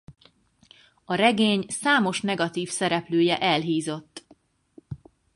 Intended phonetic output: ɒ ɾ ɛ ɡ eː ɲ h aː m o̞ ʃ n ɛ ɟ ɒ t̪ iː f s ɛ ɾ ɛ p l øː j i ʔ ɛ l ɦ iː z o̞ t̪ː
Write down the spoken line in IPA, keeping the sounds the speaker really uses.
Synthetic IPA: ɒ ɾ ɛ ɡ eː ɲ s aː m o̞ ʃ n ɛ ɡ ɒ t̪ iː f s ɛ ɾ ɛ p l øː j ɛ ʔ ɛ l ɦ iː z o̞ t̪ː